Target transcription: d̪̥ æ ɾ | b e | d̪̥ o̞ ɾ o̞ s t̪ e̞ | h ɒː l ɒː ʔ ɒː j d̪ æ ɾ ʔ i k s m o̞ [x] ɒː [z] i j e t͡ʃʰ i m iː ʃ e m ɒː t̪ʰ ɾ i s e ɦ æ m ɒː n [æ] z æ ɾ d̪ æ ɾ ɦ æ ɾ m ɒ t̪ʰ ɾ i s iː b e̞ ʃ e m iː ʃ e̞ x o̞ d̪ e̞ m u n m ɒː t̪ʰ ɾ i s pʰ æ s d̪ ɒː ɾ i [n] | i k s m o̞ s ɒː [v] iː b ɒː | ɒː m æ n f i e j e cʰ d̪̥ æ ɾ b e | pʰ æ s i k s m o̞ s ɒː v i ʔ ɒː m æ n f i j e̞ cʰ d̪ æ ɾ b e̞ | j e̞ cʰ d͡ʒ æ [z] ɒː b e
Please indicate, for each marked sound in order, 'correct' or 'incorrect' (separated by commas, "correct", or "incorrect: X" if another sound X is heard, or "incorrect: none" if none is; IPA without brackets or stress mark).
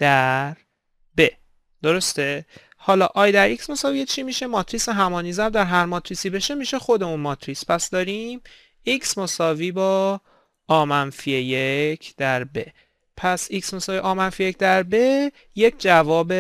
incorrect: s, incorrect: v, incorrect: i, incorrect: m, correct, incorrect: v